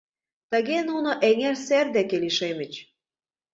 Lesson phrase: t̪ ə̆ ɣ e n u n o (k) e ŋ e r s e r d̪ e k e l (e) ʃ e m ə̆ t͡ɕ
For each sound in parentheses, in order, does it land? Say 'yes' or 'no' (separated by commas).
no, no